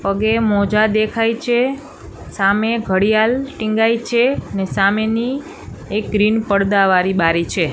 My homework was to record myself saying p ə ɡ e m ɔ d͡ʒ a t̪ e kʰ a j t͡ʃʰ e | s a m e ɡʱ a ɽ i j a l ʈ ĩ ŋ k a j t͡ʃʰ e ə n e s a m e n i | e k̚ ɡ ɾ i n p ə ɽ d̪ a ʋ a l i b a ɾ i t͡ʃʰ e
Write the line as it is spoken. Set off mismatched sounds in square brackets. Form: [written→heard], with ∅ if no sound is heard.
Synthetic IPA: p ə ɡ e m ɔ d͡ʒ a [t̪→d̪] e kʰ a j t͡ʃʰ e | s a m e ɡʱ [a→ə] ɽ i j a l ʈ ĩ ŋ [k→ɡ] a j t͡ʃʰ e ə n e s a m e n i | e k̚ ɡ ɾ i n p ə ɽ d̪ a ʋ a [l→ɾ] i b a ɾ i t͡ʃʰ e

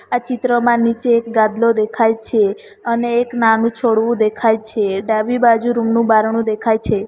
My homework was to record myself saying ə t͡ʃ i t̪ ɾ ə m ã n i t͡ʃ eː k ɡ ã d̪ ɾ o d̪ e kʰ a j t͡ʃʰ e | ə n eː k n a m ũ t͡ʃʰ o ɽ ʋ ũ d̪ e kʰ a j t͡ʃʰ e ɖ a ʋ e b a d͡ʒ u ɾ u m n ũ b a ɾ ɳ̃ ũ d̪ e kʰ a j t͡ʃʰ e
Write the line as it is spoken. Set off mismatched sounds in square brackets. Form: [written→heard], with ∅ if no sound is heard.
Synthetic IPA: [ə→a] t͡ʃ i t̪ ɾ ə m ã n i t͡ʃ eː k ɡ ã d̪ [ɾ→l] o d̪ e kʰ a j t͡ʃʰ e | ə n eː k n a [m→n] ũ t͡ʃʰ o ɽ ʋ ũ d̪ e kʰ a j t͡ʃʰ e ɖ a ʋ [e→i] b a d͡ʒ u ɾ u m n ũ b a ɾ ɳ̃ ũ d̪ e kʰ a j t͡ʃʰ e

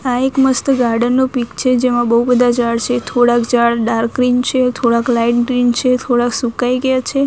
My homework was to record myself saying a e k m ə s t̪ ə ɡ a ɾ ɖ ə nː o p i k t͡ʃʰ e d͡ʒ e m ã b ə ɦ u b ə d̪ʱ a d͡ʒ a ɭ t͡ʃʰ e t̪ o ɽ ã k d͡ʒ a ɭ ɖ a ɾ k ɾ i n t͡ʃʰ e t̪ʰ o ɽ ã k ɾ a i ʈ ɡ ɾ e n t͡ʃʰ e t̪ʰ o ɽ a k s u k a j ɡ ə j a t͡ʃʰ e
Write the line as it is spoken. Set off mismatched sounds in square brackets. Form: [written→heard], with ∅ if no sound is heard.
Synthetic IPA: a e k m ə s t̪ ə ɡ a ɾ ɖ ə nː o p i k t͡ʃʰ e d͡ʒ e m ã b ə ɦ u b ə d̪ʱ a d͡ʒ a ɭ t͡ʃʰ e [t̪→t̪ʰ] o ɽ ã k d͡ʒ a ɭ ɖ a ɾ k ɾ i n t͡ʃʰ e t̪ʰ o ɽ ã k [ɾ→l] a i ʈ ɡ ɾ [e→i] n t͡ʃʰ e t̪ʰ o ɽ a k s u k a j ɡ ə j a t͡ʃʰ e

